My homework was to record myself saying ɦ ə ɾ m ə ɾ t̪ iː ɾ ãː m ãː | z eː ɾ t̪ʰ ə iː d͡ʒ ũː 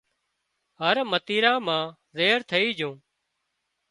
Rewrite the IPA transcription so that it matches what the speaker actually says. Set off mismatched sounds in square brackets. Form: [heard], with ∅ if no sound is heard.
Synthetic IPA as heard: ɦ ə ɾ m ə [∅] t̪ iː ɾ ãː m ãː | z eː ɾ t̪ʰ ə iː d͡ʒ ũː

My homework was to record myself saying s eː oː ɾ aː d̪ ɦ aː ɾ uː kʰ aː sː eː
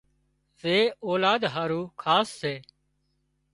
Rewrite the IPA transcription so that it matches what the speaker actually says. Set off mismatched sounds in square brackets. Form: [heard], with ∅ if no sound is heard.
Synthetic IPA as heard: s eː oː [l] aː d̪ ɦ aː ɾ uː kʰ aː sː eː

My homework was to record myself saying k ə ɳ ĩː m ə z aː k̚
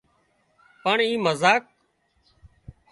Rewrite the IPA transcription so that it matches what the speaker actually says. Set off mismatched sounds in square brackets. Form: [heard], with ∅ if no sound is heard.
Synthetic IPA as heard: [p] ə ɳ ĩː m ə z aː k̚

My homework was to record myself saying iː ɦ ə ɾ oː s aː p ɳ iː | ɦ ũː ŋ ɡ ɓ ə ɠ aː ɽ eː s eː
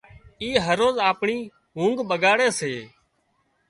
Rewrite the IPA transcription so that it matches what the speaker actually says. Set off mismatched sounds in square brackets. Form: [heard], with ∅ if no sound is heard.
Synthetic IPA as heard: iː ɦ ə ɾ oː [z] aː p ɳ iː | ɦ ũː ŋ ɡ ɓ ə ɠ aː ɽ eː s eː

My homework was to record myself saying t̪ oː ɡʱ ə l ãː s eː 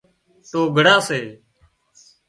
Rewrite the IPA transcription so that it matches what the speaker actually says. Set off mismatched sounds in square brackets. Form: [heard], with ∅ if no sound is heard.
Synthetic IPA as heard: t̪ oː ɡʱ ə [ɽ] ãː s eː

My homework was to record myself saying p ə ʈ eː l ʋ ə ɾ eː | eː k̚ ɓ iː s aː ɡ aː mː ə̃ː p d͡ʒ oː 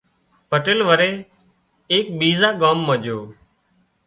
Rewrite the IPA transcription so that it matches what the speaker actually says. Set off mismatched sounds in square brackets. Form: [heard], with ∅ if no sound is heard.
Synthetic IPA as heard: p ə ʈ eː l ʋ ə ɾ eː | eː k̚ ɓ iː [z] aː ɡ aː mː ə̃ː [∅] d͡ʒ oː

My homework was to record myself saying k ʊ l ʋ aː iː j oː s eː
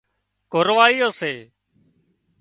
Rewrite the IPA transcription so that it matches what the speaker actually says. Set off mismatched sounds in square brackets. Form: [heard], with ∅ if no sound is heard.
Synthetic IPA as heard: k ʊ [ɾ] ʋ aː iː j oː s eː

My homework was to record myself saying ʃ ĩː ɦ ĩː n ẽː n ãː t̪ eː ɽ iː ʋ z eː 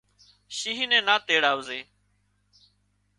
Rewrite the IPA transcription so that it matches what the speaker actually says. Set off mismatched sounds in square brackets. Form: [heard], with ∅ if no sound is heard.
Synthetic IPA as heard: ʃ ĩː ɦ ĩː n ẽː n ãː t̪ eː ɽ [aː] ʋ z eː

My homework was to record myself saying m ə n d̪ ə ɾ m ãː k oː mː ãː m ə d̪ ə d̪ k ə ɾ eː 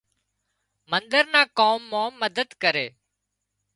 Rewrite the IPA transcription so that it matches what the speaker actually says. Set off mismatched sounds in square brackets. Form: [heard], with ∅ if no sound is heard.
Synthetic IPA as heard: m ə n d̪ ə ɾ [n] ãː k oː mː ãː m ə d̪ ə d̪ k ə ɾ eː

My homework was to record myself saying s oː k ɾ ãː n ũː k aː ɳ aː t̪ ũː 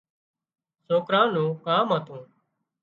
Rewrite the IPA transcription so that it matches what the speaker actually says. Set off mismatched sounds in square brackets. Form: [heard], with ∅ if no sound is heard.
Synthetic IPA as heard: s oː k ɾ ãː n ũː k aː [m] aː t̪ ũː

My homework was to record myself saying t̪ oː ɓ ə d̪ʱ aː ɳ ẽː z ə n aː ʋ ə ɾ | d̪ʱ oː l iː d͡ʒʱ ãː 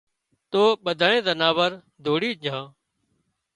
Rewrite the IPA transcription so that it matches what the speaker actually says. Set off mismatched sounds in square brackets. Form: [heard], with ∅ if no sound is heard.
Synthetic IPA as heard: t̪ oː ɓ ə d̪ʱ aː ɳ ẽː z ə n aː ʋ ə ɾ | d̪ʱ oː [ɽ] iː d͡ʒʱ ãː

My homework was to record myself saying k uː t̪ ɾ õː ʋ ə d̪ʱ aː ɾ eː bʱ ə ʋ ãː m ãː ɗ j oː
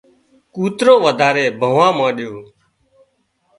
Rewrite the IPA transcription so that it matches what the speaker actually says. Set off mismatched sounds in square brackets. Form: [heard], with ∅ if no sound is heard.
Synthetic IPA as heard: k uː t̪ ɾ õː ʋ ə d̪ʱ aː ɾ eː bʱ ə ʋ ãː m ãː ɗ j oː

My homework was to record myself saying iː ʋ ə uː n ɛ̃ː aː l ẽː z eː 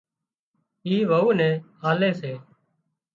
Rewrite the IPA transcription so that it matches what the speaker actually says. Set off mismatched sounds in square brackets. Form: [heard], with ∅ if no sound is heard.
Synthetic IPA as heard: iː ʋ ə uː n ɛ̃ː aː l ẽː [s] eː

